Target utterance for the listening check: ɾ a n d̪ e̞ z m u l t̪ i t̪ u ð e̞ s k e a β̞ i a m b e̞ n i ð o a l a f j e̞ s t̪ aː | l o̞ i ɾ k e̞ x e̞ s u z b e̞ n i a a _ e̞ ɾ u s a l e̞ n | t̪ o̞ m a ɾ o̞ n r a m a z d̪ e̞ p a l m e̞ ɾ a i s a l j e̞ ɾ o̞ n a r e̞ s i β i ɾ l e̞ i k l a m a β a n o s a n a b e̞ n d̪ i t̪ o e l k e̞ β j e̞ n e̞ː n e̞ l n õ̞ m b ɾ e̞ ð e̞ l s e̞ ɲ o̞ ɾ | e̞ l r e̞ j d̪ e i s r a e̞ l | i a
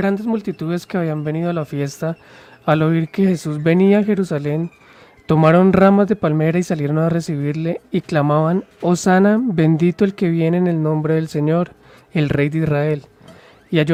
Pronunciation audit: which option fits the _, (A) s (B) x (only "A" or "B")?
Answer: B